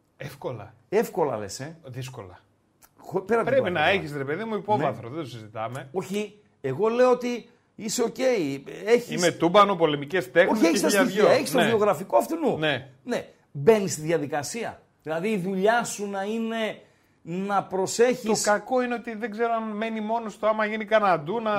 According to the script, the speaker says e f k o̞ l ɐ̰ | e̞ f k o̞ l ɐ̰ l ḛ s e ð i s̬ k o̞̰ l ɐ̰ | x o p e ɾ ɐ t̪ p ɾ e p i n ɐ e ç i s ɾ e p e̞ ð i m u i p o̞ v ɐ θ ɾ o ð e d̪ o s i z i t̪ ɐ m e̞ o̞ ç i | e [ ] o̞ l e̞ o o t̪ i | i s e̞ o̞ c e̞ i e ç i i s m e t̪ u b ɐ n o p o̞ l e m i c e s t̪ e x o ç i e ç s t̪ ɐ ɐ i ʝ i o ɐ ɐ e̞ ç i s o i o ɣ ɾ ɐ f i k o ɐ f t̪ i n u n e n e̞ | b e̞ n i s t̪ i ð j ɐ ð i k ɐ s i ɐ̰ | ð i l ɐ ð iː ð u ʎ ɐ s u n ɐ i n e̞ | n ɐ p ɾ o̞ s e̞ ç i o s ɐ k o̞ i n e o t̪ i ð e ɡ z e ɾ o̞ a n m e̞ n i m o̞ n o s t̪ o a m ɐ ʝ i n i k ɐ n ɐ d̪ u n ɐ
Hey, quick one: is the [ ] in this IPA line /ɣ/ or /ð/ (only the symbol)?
ɣ